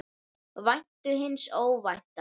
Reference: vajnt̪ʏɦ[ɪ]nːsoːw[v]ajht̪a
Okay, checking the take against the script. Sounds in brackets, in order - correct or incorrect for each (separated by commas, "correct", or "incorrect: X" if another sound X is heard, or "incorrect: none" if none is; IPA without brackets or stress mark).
correct, correct